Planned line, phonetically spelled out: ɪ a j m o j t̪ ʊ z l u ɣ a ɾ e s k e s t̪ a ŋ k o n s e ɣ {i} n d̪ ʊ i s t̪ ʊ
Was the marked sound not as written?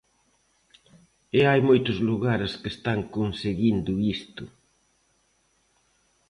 no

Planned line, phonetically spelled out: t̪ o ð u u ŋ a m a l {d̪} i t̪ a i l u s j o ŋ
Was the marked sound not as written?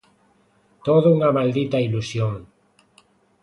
no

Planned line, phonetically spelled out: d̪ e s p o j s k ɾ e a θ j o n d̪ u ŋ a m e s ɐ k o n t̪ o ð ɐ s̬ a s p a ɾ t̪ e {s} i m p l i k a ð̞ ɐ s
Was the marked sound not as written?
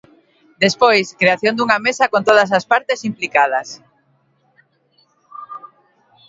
no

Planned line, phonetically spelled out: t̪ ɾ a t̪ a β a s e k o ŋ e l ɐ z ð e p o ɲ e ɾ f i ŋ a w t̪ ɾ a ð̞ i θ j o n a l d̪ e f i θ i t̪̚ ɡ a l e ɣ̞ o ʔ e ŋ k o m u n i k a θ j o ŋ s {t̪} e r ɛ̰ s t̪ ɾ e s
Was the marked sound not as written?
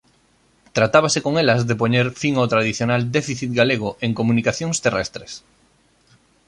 no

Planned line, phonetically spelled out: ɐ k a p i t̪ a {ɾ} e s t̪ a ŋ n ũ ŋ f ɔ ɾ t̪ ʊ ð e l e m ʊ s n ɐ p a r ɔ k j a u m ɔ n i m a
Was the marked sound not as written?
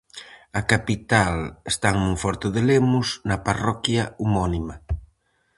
yes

